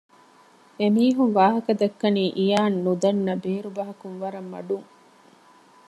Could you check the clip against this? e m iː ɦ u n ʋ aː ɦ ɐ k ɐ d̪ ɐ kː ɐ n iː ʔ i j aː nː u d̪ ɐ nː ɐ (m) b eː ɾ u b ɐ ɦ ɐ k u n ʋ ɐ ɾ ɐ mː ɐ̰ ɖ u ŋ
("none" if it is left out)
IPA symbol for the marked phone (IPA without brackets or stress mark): none